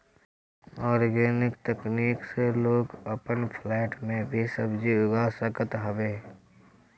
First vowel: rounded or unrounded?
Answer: rounded